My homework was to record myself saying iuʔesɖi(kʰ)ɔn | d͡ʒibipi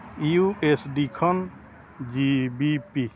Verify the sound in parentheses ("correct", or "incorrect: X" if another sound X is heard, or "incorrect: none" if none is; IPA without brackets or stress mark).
correct